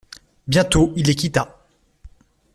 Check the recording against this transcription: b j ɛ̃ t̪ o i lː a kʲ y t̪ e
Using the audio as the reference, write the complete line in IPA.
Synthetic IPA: b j ɛ̃ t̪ o i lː e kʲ i t̪ a